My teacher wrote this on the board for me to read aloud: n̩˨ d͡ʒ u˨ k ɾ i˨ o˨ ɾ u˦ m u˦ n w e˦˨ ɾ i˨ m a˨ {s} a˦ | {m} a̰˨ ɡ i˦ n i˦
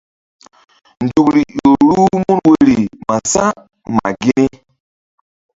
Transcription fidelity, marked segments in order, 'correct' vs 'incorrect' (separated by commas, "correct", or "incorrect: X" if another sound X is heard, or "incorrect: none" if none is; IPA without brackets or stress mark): correct, correct